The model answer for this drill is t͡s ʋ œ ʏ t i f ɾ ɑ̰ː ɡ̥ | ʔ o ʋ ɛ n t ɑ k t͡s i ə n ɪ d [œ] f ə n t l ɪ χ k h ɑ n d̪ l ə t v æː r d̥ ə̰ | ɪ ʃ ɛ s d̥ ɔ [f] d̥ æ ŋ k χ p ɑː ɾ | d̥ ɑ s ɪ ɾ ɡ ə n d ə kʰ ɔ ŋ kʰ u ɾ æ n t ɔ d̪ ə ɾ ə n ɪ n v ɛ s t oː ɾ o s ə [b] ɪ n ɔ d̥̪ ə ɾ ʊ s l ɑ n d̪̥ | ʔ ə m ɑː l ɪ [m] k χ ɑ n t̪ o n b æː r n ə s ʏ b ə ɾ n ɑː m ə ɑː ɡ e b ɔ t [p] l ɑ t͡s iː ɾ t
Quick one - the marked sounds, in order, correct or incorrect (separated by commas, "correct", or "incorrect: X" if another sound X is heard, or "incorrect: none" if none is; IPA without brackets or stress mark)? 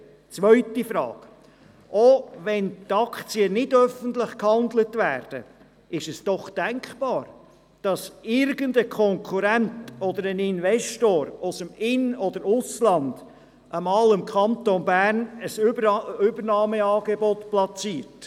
correct, incorrect: χ, incorrect: m, correct, correct